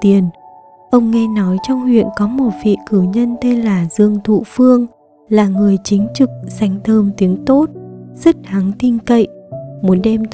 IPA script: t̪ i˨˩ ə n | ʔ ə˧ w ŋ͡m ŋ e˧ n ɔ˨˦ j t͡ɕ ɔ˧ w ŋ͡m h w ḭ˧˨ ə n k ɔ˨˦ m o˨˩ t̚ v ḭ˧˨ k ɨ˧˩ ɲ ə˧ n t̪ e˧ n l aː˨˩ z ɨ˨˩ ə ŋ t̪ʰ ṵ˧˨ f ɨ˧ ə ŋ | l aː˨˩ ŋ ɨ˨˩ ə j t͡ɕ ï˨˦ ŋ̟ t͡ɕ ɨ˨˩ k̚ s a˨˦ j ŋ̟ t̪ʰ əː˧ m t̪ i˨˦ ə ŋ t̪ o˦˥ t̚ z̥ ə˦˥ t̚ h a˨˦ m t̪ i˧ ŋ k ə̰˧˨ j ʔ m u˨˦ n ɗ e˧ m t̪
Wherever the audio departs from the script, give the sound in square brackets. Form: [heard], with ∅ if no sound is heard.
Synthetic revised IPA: t̪ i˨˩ ə n | ʔ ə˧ w ŋ͡m ŋ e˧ n ɔ˨˦ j t͡ɕ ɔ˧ w ŋ͡m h w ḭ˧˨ ə n k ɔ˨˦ m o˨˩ t̚ v ḭ˧˨ k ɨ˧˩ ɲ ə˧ n t̪ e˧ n l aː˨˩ z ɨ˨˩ ə ŋ t̪ʰ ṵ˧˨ f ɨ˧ ə ŋ | l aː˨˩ ŋ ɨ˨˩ ə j t͡ɕ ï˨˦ ŋ̟ t͡ɕ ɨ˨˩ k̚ s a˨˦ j ŋ̟ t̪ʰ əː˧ m t̪ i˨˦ ə ŋ t̪ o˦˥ t̚ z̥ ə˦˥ t̚ h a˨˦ [ŋ] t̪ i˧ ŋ k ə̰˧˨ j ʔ m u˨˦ n ɗ [ɛ˧] m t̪